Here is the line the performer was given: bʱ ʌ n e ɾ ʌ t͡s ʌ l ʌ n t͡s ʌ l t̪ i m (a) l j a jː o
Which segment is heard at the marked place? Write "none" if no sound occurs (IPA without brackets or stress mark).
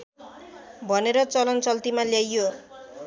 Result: a